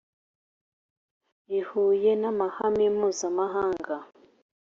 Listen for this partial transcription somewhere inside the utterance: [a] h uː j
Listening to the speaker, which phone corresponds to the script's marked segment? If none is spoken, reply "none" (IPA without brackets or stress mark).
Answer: i